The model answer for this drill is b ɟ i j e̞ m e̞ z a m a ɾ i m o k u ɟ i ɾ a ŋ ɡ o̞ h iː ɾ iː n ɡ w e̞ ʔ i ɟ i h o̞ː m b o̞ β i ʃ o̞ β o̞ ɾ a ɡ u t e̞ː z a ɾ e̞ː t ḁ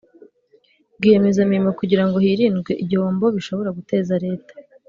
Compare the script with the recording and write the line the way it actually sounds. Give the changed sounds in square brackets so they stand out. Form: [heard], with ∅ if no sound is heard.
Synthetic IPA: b [ɡ] i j e̞ m e̞ z a m [i] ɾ i m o k u ɟ i ɾ a ŋ ɡ o̞ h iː ɾ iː n ɡ w e̞ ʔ i ɟ i h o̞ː m b o̞ β i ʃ o̞ β o̞ ɾ a ɡ u t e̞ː z a ɾ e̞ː t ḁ

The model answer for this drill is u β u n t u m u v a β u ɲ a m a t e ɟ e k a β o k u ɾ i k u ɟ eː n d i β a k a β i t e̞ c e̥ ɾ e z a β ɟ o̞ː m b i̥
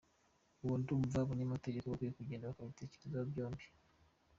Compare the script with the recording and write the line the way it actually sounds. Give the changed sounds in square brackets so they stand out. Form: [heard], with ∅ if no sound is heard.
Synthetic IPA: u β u n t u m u v a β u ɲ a m a t e ɟ e k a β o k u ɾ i k u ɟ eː n d [a] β a k a β i t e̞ c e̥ ɾ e z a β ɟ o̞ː m b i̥

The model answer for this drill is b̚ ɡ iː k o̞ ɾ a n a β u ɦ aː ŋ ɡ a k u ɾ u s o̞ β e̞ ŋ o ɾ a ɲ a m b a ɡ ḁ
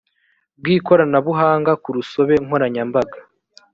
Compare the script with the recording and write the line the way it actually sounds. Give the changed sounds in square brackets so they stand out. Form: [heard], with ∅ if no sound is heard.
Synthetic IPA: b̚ ɡ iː k o̞ ɾ a n a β u ɦ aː ŋ ɡ a k u ɾ u s o̞ β e̞ ŋ o ɾ a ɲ a m b a ɡ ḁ

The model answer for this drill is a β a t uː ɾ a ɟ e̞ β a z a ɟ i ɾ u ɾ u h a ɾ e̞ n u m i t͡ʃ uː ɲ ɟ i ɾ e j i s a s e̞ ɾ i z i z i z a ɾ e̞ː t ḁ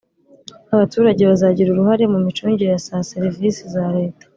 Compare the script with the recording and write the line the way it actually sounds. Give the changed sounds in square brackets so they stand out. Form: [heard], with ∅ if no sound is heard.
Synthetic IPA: a β a t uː ɾ a ɟ e̞ β a z a ɟ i ɾ u ɾ u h a ɾ e̞ [m] u m i t͡ʃ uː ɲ ɟ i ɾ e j [a] s a s e̞ ɾ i [v] i [s] i z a ɾ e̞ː t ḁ

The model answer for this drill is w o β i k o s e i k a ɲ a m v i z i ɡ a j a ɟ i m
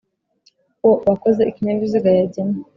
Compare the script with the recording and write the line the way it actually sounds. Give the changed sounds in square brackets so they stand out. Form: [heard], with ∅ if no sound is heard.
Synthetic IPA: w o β [a] k o [z] e i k [i] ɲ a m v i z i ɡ a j a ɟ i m

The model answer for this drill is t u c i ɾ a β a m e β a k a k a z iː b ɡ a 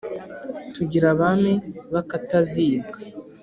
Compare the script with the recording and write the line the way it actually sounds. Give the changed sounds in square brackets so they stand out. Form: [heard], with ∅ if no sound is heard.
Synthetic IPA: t u [ɟ] i ɾ a β a m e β a k a [t] a z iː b ɡ a

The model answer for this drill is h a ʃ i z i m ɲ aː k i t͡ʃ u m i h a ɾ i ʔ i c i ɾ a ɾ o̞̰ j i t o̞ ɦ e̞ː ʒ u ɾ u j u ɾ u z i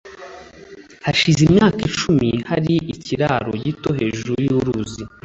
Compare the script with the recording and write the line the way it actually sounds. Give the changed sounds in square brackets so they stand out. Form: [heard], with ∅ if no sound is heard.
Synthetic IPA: h a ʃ i z i m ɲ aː k i t͡ʃ u m i h a ɾ i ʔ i c i ɾ a ɾ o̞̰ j i t o̞ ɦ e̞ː ʒ u ɾ u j u ɾ u z i

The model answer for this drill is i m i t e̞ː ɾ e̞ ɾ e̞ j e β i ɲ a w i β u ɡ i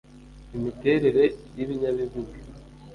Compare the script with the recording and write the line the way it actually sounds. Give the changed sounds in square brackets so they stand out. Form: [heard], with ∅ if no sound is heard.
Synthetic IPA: i m i t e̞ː ɾ e̞ ɾ e̞ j [i] β i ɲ a [β] i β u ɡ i

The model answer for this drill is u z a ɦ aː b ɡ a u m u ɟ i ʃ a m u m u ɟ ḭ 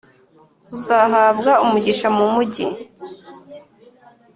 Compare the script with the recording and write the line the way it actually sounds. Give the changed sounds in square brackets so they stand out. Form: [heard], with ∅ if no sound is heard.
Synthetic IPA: u z a ɦ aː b ɡ a u m u ɟ i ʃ a m u m u ɟ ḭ

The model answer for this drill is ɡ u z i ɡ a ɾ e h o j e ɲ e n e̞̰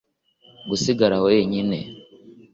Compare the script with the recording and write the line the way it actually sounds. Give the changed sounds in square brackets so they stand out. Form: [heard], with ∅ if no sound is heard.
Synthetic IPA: ɡ u [s] i ɡ a ɾ [a] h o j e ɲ [i] n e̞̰

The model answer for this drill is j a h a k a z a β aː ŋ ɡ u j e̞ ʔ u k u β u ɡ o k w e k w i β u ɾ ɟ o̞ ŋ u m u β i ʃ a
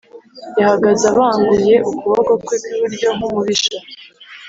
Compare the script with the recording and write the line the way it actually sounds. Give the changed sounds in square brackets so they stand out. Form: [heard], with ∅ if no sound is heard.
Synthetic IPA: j a h a [ɡ] a z a β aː ŋ ɡ u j e̞ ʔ u k u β [o] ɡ o k w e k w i β u ɾ ɟ o̞ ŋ u m u β i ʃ a

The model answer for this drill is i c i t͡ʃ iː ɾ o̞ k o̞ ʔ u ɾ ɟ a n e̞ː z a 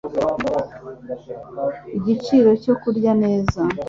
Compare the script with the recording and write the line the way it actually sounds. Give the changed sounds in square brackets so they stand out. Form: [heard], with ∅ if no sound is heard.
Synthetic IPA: i [ɟ] i t͡ʃ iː ɾ o̞ [c] o̞ [k] u ɾ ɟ a n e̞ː z a

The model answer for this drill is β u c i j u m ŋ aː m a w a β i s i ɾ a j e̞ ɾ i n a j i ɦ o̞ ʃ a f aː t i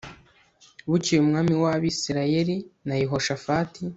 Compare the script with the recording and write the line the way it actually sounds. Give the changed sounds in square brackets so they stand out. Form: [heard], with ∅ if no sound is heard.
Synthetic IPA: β u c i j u m ŋ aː m [i] w a β i s i ɾ a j e̞ ɾ i n a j i ɦ o̞ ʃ a f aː t i

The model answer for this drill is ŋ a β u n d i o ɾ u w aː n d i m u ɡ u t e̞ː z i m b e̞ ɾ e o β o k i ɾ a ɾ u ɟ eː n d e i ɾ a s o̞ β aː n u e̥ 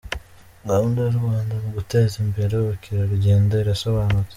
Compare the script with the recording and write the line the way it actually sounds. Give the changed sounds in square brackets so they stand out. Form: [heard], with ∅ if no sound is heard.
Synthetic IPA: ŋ a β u n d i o ɾ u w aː n d [a] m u ɡ u t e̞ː z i m b e̞ ɾ e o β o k i ɾ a ɾ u ɟ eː n d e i ɾ a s o̞ β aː n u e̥

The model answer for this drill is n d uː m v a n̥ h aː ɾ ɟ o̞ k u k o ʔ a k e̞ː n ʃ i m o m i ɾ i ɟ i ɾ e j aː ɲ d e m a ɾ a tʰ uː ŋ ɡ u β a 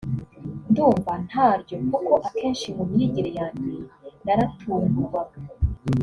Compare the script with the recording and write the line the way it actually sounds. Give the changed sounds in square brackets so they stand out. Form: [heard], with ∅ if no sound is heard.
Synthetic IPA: n d uː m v a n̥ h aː ɾ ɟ o̞ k u k o ʔ a k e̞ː n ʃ i m [u] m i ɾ i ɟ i ɾ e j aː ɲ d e [n] a ɾ a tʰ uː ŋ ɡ u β a

